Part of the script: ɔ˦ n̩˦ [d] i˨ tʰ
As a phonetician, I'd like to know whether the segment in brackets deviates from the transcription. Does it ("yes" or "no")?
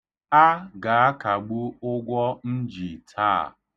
yes